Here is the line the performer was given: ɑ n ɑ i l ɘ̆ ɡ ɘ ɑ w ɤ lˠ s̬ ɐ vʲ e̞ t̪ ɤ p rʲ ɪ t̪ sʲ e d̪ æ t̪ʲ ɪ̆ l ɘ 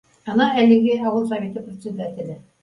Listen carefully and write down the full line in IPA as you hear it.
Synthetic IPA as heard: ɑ n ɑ æ l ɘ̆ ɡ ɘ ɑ w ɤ lˠ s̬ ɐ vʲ e̞ t̪ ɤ p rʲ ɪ t̪ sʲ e d̪ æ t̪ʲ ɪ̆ l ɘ